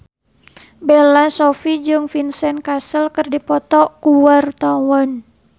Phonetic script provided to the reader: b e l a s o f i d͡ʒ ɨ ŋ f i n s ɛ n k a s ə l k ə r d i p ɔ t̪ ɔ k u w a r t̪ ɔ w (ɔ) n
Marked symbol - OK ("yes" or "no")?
yes